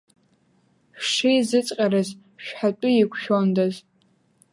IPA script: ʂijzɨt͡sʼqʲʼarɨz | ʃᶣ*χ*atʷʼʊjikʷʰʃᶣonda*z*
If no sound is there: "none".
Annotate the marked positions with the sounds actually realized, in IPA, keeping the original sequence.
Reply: ħ, z

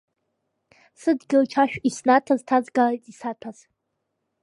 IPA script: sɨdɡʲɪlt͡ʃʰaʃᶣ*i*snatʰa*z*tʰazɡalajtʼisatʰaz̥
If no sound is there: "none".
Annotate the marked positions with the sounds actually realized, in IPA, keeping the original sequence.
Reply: i, z

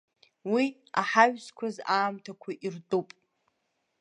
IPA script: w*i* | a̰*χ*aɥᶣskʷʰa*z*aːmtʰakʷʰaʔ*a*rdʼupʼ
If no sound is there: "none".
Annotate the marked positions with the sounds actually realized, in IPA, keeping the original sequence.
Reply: i, ħ, z, i

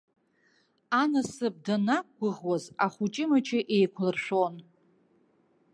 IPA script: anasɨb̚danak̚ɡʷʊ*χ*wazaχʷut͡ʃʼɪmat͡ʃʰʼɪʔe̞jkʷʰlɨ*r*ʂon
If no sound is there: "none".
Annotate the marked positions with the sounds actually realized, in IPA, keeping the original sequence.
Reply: ʁ, r

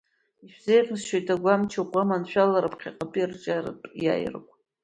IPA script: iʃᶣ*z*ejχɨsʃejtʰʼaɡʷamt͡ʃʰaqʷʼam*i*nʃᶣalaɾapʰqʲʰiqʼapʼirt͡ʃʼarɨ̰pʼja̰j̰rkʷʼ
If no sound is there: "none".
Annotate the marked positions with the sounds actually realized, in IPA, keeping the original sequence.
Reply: z, a

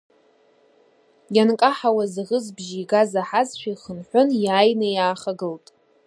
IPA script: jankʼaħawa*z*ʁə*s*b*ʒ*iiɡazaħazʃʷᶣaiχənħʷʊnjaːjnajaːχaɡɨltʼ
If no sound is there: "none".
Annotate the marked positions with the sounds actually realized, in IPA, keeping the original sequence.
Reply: z, z, ʒ

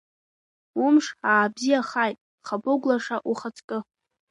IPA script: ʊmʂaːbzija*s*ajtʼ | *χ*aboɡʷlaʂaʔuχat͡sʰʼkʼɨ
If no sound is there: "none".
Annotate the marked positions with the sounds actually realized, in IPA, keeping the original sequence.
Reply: χ, χ

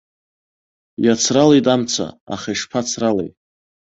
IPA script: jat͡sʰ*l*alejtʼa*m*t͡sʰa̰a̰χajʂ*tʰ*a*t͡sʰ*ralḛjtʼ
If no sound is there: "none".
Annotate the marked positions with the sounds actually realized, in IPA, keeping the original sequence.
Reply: r, m, pʰ, t͡sʰ

